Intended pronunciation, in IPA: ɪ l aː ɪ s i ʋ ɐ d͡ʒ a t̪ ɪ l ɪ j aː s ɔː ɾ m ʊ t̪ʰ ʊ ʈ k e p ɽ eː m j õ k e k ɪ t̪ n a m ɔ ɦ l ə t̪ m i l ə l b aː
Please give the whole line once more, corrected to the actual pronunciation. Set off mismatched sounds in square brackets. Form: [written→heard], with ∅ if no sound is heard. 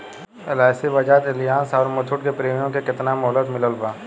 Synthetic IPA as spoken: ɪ l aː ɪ s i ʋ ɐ d͡ʒ a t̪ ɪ l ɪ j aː s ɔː ɾ m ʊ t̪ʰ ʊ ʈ k e p [ɽ→ɾ] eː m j õ k e k ɪ t̪ n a m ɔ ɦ l ə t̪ m [i→ɪ] l ə l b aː